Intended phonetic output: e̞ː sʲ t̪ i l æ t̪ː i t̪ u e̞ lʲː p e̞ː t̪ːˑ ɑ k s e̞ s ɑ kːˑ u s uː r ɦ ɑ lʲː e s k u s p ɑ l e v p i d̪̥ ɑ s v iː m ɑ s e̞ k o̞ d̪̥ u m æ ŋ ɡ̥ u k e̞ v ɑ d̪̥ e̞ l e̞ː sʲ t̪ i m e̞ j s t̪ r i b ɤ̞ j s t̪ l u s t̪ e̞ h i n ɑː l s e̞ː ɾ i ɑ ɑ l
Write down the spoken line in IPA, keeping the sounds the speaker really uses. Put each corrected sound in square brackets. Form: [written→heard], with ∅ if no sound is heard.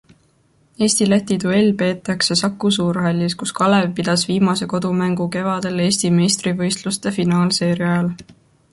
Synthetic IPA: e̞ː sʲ t̪ i l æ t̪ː i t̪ u e̞ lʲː p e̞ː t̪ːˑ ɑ k s e̞ s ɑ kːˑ u s uː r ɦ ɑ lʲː [e→i] s k u s [p→k] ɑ l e v p i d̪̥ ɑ s v iː m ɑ s e̞ k o̞ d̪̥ u m æ ŋ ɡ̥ u k e̞ v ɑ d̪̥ e̞ l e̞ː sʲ t̪ i m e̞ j s t̪ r i [b→v] ɤ̞ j s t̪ l u s t̪ e̞ [h→f] i n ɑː l s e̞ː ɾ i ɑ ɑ l